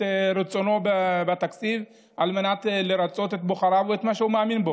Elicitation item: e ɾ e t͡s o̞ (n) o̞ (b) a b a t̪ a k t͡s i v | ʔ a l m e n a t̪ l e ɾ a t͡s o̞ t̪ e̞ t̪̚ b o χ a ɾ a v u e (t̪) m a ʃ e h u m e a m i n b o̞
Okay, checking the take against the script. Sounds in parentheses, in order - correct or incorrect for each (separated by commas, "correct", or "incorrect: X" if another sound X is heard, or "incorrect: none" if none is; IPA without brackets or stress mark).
correct, correct, correct